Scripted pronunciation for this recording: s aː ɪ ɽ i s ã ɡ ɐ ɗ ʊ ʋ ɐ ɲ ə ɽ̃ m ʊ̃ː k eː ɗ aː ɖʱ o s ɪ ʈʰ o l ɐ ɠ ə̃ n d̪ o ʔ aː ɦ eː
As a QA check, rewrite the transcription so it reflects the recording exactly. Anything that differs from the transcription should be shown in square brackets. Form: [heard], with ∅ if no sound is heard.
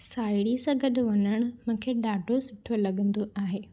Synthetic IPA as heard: s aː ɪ ɽ i s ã ɡ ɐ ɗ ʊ ʋ ɐ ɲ ə ɽ̃ m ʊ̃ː [kʰ] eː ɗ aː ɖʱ o s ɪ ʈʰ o l ɐ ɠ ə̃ n d̪ o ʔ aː ɦ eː